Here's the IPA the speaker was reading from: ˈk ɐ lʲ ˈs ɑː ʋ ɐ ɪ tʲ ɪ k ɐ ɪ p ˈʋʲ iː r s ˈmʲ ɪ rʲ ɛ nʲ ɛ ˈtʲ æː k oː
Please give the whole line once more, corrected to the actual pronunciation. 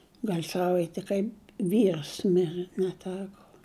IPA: ˈɡ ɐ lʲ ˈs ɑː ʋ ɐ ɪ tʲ ɪ k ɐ ɪ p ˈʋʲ iː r s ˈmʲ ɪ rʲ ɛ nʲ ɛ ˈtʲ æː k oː